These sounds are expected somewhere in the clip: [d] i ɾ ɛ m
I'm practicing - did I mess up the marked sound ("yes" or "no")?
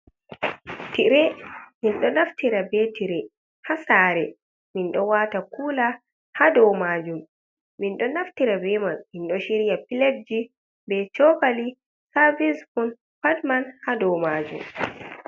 yes